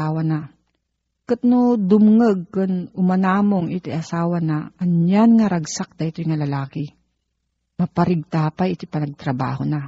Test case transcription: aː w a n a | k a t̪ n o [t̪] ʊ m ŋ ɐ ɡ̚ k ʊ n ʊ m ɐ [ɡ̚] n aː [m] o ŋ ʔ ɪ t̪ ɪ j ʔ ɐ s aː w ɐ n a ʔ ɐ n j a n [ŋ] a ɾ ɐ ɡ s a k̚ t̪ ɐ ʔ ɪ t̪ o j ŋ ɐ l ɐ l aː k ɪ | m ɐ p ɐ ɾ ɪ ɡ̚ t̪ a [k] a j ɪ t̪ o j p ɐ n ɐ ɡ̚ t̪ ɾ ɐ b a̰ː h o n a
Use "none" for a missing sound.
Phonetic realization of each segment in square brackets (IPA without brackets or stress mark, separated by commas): d̪, none, m, ŋ, p